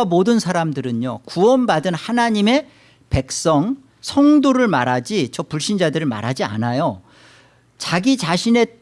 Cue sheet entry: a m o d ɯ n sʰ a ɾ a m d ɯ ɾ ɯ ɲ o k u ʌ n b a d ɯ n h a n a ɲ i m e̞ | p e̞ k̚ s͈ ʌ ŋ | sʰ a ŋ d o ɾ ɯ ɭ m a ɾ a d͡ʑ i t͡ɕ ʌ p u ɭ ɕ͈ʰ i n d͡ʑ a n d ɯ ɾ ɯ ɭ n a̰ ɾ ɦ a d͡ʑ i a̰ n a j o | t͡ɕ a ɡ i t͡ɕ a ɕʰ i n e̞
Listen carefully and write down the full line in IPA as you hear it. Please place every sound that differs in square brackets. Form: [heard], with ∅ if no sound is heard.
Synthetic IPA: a m o d ɯ n sʰ a ɾ a m d ɯ ɾ ɯ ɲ o k u ʌ n b a d ɯ n h a n a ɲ i m e̞ | p e̞ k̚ s͈ ʌ ŋ | sʰ [ʌ] ŋ d o ɾ ɯ ɭ m a ɾ a d͡ʑ i t͡ɕ ʌ p u ɭ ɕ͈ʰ i n d͡ʑ a [∅] d ɯ ɾ ɯ ɭ [m] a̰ ɾ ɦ a d͡ʑ i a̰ n a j o | t͡ɕ a ɡ i t͡ɕ a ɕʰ i n e̞